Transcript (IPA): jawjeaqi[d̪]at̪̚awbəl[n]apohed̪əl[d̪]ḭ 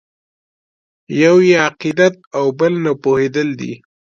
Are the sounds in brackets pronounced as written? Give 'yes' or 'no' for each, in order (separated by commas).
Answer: yes, yes, yes